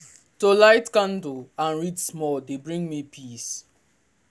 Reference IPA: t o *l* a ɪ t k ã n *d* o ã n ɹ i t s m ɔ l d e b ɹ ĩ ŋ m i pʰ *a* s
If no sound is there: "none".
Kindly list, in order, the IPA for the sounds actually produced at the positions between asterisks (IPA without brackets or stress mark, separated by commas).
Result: l, d, i